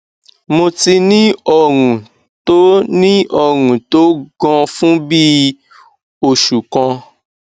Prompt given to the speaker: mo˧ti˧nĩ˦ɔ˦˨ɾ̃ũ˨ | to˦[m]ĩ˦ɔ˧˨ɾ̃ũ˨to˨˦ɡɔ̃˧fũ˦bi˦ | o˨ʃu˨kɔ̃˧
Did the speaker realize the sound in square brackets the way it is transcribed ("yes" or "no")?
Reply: no